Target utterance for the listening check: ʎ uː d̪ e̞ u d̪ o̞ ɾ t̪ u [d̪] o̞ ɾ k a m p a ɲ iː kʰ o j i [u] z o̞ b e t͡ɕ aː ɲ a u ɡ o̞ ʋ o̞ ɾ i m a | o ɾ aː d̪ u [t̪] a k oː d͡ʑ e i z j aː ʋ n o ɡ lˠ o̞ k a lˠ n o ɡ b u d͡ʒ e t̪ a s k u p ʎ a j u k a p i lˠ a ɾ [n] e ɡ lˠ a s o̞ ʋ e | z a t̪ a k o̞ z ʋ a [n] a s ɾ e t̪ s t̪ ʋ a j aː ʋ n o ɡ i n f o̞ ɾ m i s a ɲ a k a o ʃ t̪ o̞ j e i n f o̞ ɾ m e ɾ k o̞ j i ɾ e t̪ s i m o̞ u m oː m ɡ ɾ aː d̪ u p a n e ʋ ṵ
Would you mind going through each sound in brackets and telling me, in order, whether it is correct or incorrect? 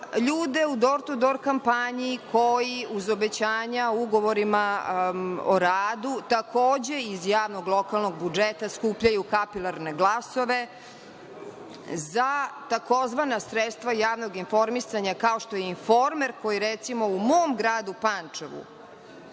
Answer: correct, correct, correct, correct, correct

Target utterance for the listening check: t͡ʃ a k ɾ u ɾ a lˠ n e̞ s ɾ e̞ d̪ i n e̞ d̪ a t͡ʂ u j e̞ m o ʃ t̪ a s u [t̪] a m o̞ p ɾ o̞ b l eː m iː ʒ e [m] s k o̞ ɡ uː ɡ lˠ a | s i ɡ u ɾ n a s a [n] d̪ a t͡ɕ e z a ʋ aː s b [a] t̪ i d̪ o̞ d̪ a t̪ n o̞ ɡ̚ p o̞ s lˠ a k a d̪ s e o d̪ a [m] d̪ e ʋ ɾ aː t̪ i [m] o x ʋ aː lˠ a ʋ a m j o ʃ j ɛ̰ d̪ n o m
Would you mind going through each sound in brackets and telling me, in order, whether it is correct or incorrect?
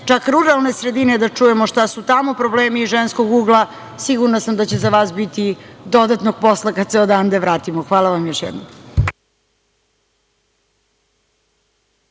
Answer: correct, incorrect: n, incorrect: m, incorrect: i, incorrect: n, correct

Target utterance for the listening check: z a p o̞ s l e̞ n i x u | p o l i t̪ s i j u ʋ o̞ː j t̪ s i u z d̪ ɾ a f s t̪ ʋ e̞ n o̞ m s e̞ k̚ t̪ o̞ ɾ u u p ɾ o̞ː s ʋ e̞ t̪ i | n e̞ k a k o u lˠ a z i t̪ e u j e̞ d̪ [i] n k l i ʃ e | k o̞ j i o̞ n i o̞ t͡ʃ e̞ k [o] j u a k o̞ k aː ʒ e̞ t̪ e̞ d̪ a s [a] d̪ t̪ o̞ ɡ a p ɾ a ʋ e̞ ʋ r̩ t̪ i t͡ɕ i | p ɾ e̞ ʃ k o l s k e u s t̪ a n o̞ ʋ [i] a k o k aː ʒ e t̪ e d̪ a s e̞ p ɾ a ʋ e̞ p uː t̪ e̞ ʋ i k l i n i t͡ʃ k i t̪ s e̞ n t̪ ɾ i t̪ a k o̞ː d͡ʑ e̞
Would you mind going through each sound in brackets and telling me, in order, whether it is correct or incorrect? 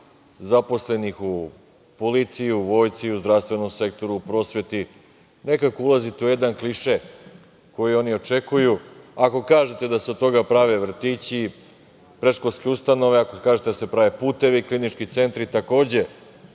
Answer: incorrect: a, incorrect: u, incorrect: e, incorrect: e

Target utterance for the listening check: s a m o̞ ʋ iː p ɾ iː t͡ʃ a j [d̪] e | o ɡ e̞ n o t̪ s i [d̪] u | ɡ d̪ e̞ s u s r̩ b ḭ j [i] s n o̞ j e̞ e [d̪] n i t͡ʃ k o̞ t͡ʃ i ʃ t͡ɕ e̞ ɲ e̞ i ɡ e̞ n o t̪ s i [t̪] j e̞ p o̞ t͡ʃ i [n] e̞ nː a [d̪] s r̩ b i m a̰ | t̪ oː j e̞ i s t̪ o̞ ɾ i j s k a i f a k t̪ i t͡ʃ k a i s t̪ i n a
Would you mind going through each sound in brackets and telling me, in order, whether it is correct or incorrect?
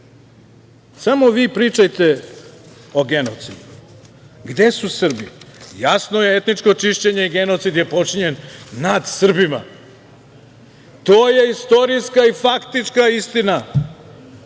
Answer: incorrect: t̪, correct, incorrect: a, incorrect: t̪, incorrect: d̪, incorrect: ɲ, correct

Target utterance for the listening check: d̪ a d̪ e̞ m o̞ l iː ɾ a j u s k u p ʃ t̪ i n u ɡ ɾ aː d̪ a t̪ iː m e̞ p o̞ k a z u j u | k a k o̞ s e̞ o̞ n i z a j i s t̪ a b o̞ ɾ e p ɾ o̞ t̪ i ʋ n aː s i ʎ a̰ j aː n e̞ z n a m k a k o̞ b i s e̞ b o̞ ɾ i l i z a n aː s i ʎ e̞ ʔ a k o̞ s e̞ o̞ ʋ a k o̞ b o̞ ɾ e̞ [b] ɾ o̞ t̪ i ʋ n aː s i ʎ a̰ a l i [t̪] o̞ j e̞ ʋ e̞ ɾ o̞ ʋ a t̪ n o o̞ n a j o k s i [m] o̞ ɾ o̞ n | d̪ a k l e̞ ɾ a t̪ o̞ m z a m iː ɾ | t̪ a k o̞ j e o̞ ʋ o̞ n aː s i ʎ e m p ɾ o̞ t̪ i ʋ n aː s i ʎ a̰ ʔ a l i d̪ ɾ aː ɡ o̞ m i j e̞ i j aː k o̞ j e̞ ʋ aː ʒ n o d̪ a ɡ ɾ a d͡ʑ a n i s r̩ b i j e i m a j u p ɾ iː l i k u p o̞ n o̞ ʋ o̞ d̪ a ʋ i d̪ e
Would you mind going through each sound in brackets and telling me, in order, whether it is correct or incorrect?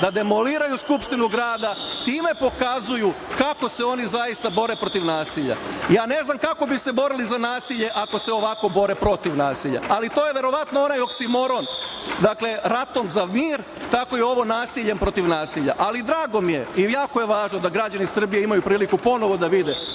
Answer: incorrect: p, correct, correct

